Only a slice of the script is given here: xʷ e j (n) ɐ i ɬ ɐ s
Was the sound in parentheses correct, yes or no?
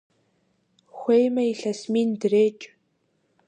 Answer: no